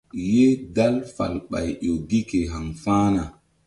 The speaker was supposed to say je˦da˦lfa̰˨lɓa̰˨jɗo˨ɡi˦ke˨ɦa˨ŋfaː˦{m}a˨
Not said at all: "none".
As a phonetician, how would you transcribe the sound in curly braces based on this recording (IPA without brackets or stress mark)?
n